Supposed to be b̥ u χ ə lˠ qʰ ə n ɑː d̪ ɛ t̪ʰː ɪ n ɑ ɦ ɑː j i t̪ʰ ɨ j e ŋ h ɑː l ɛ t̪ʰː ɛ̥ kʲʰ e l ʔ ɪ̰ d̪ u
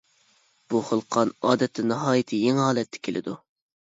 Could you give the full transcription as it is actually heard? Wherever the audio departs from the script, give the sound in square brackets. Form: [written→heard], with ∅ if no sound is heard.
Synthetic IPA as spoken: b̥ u χ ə lˠ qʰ [ə→ɑ] n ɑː d̪ ɛ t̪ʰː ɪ n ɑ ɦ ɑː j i t̪ʰ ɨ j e ŋ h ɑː l ɛ t̪ʰː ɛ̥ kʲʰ e l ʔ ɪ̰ d̪ u